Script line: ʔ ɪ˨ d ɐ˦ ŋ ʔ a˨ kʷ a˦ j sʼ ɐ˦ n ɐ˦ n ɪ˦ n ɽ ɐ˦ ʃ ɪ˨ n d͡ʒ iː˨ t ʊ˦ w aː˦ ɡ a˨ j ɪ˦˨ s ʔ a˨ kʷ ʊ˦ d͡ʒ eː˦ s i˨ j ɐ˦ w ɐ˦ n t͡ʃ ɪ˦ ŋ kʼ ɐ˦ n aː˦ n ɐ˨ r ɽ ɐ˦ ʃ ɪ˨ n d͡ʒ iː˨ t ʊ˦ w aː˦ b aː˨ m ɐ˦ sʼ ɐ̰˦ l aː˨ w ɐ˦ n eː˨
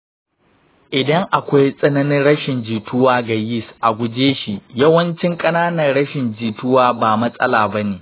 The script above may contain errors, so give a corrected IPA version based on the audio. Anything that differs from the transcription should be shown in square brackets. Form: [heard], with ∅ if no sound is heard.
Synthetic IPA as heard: ʔ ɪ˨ d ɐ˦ ŋ ʔ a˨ kʷ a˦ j sʼ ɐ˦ n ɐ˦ n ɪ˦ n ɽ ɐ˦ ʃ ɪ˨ n d͡ʒ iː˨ t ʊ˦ w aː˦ ɡ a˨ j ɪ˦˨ s ʔ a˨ [ɡʷ] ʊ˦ d͡ʒ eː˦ [ʃ] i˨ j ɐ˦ w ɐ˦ n t͡ʃ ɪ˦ ŋ kʼ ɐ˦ n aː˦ n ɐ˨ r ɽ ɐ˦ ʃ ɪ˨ n d͡ʒ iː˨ t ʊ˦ w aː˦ b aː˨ m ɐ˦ sʼ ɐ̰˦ l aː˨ [b] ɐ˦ n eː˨

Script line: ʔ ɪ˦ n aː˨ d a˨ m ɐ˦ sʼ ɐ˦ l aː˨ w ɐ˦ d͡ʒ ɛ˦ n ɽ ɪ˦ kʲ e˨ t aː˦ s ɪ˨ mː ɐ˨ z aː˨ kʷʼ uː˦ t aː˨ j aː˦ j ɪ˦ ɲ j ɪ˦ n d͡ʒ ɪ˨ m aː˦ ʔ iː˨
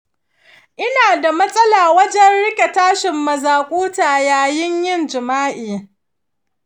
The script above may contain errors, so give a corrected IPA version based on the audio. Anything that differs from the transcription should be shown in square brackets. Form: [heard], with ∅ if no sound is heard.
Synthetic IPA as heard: ʔ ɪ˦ n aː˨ d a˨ m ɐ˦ sʼ ɐ˦ l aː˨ w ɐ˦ d͡ʒ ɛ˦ n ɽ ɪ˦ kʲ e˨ t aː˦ [ʃ] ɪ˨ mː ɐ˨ z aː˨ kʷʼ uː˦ t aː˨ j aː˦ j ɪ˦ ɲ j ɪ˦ n d͡ʒ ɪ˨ m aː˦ ʔ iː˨

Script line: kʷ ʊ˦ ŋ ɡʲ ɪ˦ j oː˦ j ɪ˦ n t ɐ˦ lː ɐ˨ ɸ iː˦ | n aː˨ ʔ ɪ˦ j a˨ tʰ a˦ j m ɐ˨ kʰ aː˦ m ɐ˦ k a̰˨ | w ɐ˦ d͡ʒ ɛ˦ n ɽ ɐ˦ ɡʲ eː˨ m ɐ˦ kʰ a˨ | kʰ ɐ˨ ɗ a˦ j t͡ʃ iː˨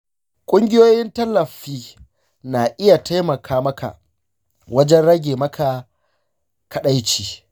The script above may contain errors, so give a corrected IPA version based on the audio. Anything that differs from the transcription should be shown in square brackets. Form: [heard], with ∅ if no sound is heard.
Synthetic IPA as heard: [kʷʼ] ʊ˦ ŋ ɡʲ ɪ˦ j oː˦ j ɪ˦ n t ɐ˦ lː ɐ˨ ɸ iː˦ | n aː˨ ʔ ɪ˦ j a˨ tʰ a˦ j m ɐ˨ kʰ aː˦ m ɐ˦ k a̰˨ | w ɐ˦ d͡ʒ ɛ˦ n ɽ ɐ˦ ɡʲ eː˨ m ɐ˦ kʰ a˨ | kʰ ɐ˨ ɗ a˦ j t͡ʃ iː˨

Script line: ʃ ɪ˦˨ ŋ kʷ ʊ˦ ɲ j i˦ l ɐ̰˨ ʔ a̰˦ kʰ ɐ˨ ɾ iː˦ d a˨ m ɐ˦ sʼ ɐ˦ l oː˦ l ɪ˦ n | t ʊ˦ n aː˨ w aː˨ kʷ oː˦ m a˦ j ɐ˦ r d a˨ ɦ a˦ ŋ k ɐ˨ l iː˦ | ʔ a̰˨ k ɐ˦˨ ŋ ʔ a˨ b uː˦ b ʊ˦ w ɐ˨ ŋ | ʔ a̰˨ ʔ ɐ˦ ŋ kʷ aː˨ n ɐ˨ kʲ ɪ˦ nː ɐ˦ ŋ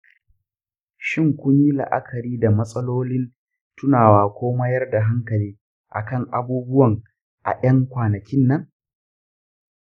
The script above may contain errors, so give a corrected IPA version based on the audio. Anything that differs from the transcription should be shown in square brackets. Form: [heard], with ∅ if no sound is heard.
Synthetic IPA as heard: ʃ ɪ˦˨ ŋ kʷ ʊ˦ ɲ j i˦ l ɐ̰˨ ʔ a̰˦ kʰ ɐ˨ ɾ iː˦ d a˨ m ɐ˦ sʼ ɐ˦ l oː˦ l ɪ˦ n | t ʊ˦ n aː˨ w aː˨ kʷ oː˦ m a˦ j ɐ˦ r d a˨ ɦ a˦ ŋ k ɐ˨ l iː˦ | ʔ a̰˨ k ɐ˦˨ ŋ ʔ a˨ b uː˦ b ʊ˦ w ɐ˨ ŋ | ʔ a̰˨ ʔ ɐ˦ ŋ kʷ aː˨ n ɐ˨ kʲ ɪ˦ nː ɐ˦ ŋ

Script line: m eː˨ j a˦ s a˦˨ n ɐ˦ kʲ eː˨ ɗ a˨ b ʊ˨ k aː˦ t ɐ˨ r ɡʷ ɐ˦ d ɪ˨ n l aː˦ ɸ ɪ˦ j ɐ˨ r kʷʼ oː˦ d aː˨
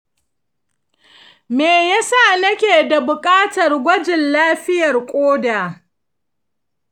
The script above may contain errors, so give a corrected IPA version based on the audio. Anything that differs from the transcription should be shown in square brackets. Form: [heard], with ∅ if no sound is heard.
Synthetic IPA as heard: m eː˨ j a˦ s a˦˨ n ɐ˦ kʲ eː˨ [d] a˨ b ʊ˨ [kʼ] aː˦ t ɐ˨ r ɡʷ ɐ˦ [d͡ʒ] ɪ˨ n l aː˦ ɸ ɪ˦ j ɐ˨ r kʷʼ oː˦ d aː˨

